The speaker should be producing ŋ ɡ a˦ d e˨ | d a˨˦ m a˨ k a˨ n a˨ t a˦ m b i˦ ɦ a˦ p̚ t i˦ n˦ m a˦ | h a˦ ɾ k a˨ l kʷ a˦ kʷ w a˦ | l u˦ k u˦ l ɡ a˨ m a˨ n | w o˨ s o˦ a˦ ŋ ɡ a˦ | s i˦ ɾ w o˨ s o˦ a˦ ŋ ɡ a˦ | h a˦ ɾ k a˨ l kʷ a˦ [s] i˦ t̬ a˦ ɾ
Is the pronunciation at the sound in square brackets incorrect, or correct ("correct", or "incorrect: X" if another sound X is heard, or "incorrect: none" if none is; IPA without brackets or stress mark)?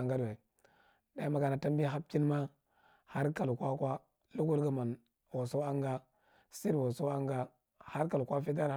incorrect: f